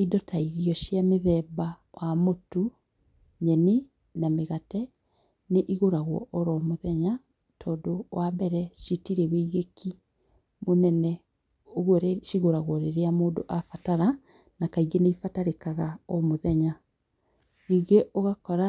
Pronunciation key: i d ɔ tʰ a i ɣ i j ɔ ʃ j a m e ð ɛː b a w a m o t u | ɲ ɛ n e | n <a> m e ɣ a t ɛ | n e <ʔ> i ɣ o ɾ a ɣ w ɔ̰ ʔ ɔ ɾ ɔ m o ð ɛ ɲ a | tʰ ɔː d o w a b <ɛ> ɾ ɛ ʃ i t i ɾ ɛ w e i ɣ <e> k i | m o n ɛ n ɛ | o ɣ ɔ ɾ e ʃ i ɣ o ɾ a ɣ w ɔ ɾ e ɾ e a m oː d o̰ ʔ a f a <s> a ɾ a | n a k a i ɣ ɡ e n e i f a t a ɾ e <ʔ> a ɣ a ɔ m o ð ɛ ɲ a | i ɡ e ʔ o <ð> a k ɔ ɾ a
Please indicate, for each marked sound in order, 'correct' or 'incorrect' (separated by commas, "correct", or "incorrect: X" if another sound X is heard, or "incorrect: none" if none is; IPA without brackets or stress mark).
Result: correct, correct, correct, correct, incorrect: t, incorrect: k, incorrect: ɣ